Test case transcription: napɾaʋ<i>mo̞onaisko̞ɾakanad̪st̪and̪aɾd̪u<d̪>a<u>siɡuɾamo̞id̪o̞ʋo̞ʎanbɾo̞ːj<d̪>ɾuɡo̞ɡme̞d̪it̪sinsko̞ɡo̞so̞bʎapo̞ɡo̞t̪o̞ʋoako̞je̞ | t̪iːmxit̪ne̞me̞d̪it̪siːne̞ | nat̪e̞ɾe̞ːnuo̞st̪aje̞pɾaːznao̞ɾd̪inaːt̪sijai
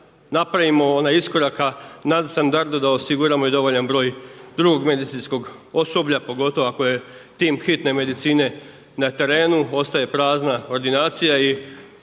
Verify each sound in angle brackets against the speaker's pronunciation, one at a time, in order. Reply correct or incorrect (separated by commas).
correct, correct, incorrect, correct